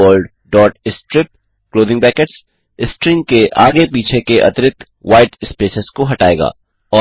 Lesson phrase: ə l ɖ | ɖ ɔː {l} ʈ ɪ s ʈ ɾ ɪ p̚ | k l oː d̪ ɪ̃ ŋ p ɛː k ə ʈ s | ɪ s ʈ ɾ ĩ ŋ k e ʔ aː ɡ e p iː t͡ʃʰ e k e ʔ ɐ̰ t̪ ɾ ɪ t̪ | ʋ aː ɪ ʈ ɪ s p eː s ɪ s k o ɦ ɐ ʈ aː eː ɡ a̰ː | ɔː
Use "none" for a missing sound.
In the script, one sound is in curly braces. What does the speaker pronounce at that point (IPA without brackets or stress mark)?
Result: none